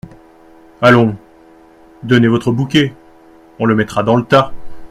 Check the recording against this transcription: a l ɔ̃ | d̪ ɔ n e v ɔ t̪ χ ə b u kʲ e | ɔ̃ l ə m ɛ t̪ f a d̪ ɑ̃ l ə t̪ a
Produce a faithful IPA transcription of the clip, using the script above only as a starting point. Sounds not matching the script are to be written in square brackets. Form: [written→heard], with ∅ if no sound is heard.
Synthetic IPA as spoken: a l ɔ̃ | d̪ ɔ n e v ɔ t̪ χ ə b u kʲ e | ɔ̃ l ə m ɛ t̪ [f→χ] a d̪ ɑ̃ l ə t̪ a